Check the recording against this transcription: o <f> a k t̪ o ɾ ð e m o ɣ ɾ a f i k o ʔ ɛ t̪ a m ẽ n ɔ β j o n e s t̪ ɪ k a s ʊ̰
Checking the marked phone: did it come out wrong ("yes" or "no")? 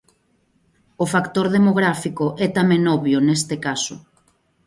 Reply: no